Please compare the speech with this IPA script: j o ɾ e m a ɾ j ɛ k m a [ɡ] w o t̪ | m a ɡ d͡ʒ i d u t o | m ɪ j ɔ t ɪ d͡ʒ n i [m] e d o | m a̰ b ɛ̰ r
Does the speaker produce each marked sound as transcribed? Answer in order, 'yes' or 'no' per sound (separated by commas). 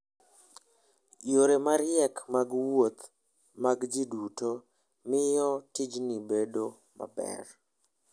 yes, no